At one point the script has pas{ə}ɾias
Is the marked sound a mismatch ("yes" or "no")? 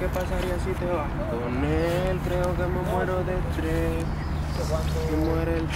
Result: yes